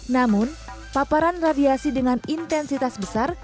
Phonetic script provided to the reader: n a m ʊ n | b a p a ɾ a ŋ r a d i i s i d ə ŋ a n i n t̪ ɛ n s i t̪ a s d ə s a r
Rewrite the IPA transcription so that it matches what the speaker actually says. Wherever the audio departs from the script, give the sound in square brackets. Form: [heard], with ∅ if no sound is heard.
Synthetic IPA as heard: n a m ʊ n | [p] a p a ɾ a [n] r a d i [a] s i d ə ŋ a n i n t̪ ɛ n s i t̪ a s [b] ə s a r